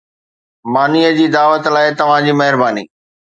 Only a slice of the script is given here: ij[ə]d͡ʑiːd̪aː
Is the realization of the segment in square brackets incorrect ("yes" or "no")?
no